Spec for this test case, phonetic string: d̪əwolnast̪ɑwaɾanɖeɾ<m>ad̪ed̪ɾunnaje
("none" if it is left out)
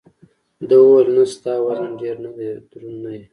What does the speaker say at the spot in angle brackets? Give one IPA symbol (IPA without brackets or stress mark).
n